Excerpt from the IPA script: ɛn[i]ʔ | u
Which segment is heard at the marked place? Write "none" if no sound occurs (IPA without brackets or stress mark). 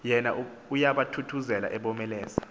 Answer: a